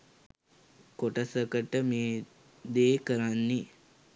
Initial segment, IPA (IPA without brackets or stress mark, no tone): k